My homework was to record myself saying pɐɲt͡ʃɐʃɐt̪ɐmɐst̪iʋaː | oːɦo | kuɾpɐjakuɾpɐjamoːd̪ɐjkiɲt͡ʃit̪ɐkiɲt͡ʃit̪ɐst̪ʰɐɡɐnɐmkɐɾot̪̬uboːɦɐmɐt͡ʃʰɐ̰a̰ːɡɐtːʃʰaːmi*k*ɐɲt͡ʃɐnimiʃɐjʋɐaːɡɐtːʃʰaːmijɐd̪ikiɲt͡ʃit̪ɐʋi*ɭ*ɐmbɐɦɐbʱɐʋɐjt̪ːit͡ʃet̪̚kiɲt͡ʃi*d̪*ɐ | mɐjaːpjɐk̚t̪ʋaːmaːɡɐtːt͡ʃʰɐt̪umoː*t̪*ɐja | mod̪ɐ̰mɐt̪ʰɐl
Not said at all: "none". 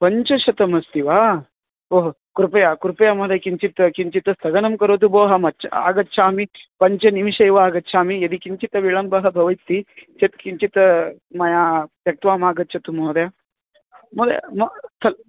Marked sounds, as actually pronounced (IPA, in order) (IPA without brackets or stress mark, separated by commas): p, ɭ, t̪, d̪